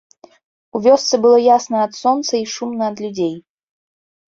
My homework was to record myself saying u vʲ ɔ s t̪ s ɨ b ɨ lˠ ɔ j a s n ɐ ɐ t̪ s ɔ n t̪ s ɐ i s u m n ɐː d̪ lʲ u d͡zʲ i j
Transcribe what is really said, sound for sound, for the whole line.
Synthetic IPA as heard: u vʲ ɔ s t̪ s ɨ b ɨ lˠ ɔ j a s n ɐ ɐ t̪ s ɔ n t̪ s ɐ i ʂ u m n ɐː d̪ lʲ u d͡zʲ e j